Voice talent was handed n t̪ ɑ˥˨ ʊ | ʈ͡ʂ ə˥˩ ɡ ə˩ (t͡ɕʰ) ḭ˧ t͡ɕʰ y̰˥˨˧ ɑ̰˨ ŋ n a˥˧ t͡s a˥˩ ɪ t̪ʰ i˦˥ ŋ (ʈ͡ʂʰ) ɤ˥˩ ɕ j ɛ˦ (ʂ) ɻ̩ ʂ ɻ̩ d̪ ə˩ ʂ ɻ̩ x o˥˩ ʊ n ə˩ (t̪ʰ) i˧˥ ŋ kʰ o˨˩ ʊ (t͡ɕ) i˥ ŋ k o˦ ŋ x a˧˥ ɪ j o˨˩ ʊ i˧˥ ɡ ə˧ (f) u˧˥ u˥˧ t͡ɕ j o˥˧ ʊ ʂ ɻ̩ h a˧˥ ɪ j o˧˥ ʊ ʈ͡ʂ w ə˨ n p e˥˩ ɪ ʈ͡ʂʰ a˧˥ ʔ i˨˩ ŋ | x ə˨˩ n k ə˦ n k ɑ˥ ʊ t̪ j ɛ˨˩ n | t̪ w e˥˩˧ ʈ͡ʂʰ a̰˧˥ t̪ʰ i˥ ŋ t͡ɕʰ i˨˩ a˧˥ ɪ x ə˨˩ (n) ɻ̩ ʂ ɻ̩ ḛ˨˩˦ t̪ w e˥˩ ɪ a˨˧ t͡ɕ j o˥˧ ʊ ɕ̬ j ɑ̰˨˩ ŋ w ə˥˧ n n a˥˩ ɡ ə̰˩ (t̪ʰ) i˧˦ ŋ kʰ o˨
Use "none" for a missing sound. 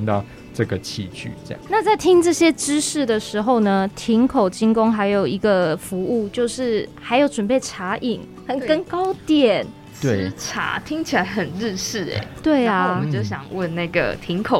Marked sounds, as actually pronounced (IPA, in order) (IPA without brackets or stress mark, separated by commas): t͡ɕʰ, ʈ͡ʂ, ʈ͡ʂ, t̪ʰ, t͡ɕ, f, n, t̪ʰ